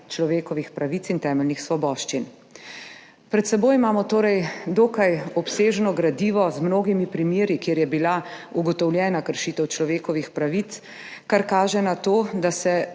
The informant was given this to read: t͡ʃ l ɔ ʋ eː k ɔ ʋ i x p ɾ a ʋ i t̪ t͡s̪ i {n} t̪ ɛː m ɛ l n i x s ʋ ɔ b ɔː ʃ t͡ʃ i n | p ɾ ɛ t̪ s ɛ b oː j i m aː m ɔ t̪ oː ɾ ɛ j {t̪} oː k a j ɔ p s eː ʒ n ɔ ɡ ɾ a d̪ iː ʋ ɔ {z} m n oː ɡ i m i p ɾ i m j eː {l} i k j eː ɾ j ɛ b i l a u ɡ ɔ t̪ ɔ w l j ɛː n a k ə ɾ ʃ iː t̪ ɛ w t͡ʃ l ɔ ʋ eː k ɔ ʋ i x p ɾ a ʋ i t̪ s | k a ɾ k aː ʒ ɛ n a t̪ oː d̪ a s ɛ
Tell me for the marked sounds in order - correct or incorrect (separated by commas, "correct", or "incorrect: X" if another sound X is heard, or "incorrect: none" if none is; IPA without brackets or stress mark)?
correct, incorrect: d̪, correct, incorrect: ɾ